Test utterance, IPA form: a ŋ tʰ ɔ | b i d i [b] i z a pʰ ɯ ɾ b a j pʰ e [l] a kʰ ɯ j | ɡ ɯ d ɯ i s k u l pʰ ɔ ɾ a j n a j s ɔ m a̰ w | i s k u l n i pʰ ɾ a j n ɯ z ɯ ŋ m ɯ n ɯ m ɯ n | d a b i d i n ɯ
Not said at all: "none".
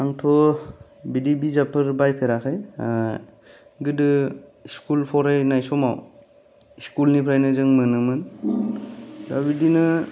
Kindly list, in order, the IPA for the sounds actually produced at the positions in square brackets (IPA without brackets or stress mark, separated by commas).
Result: b, ɾ